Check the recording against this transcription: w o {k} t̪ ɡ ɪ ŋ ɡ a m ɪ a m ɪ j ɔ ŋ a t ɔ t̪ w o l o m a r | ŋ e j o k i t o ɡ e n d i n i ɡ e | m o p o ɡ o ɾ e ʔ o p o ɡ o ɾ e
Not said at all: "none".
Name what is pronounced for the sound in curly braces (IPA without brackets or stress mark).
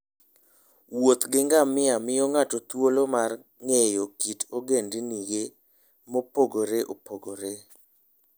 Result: none